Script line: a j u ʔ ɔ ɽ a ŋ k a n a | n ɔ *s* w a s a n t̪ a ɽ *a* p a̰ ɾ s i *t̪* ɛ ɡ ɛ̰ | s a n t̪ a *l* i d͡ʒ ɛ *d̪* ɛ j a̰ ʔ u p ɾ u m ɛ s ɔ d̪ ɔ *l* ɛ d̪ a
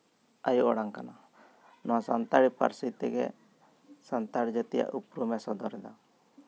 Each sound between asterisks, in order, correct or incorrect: incorrect: none, incorrect: i, correct, incorrect: ɽ, incorrect: t̪, incorrect: ɾ

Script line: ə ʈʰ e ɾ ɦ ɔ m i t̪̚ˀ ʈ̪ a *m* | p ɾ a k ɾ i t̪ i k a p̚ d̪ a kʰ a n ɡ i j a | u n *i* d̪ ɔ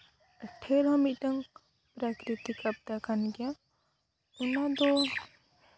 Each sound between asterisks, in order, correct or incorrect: incorrect: ŋ, incorrect: a

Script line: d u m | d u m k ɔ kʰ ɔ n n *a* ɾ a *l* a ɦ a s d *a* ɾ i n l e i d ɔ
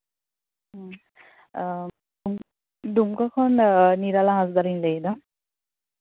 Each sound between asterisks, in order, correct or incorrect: incorrect: i, correct, correct

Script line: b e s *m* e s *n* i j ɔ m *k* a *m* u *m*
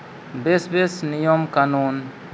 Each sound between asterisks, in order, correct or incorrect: incorrect: b, correct, correct, incorrect: n, incorrect: n

